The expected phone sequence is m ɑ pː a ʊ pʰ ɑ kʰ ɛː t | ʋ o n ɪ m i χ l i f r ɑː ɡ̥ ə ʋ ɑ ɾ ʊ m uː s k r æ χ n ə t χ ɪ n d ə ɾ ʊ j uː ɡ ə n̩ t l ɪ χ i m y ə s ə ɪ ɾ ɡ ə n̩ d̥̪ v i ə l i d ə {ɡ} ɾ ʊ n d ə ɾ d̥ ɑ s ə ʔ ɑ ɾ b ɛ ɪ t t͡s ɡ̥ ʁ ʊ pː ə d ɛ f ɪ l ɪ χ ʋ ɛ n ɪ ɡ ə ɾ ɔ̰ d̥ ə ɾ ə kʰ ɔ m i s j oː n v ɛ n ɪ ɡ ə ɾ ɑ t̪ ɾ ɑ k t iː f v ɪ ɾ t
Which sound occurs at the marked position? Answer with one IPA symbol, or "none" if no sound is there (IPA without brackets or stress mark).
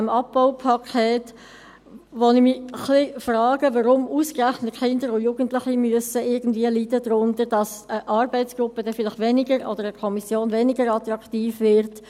d